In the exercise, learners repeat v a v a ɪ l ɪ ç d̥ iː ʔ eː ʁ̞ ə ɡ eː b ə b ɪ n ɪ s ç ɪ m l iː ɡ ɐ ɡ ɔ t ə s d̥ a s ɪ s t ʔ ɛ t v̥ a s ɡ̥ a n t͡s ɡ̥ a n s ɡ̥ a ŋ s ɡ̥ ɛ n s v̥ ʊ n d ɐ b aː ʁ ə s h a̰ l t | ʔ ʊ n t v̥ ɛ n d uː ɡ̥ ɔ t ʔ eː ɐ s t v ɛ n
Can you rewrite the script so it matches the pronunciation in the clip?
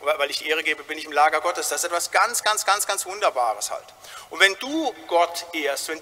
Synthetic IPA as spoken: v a v a ɪ l ɪ ç d̥ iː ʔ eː ʁ̞ ə ɡ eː b ə b ɪ n ɪ ç ɪ m l aː ɡ ɐ ɡ ɔ t ə s d̥ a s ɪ s t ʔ ɛ t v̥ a s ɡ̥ a n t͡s ɡ̥ a n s ɡ̥ a n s ɡ̥ a n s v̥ ʊ n d ɐ b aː ʁ ə s h a̰ l t | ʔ ʊ n t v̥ ɛ n d uː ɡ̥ ɔ t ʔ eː ɐ s t v ɛ n